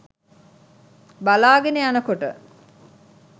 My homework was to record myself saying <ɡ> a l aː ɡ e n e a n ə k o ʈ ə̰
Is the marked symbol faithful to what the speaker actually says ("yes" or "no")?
no